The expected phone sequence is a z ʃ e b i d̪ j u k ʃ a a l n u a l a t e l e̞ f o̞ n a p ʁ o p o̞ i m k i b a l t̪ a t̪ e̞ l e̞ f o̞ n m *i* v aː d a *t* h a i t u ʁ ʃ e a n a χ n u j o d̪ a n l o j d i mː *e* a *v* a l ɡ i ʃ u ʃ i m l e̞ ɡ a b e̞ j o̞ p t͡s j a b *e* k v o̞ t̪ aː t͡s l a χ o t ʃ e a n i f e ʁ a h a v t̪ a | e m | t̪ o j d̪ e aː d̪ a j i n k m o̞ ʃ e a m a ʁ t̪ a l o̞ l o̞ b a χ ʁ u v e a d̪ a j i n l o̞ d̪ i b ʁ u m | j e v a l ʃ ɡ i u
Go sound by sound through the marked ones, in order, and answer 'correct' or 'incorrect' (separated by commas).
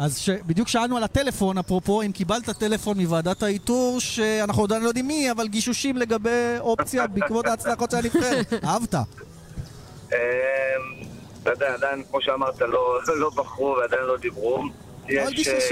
correct, correct, incorrect, correct, incorrect